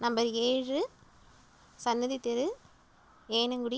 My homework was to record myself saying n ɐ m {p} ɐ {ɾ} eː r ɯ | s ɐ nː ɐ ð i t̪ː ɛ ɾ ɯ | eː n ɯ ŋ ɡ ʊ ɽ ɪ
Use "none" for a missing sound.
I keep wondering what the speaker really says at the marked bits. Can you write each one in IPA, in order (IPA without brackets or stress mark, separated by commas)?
b, ɾ